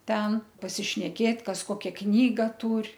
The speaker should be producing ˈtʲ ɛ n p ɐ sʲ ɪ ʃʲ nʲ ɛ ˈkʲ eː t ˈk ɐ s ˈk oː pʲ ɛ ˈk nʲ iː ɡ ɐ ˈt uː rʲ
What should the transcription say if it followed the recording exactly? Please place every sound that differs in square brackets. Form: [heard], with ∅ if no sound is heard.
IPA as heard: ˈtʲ ɛ n p ɐ sʲ ɪ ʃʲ nʲ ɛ ˈkʲ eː t ˈk ɐ s ˈk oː [kʲ] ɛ ˈk nʲ iː ɡ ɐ ˈt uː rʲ